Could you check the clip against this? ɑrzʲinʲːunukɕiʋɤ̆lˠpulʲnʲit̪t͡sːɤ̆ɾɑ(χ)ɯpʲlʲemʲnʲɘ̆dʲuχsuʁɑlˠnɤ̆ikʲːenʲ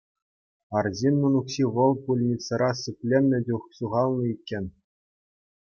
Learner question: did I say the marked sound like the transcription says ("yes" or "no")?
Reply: no